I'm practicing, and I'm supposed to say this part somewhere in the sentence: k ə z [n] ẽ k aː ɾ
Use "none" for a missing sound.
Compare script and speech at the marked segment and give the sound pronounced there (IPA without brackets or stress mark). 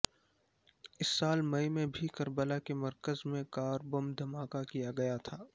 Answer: m